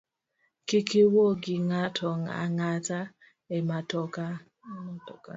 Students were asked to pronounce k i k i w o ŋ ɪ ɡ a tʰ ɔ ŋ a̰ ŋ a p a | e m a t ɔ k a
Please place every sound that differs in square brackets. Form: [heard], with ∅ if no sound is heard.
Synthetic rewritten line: k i k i w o [ɡ] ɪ [ŋ] a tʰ ɔ ŋ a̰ ŋ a [t] a | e m a t ɔ k a